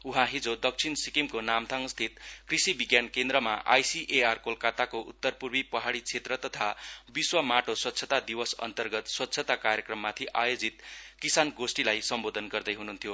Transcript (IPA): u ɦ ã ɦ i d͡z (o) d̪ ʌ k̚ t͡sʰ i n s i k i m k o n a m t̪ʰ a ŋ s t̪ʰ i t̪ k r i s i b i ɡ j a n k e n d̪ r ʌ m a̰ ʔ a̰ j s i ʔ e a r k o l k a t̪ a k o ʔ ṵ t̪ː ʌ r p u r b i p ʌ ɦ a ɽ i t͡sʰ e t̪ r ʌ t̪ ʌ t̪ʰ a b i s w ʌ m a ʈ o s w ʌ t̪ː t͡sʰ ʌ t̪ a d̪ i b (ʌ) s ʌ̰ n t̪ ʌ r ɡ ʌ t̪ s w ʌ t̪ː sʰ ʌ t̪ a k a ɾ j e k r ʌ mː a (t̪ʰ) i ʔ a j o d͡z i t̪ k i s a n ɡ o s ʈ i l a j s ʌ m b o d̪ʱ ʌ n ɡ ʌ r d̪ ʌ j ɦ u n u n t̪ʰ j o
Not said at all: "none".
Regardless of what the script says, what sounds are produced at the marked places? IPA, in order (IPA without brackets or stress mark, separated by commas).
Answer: o, ʌ, t̪ʰ